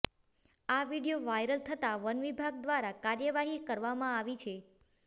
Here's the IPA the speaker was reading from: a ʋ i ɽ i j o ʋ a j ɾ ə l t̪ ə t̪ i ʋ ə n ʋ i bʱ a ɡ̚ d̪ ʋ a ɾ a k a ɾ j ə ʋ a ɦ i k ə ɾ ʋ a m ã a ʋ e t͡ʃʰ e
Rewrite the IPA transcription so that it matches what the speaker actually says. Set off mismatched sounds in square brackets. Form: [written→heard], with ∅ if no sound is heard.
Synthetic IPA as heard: a ʋ i ɽ i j o ʋ a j ɾ ə l [t̪→t̪ʰ] ə t̪ [i→a] ʋ ə n ʋ i bʱ a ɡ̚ d̪ ʋ a ɾ a k a ɾ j ə ʋ a ɦ i k ə ɾ ʋ a m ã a ʋ [e→i] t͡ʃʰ e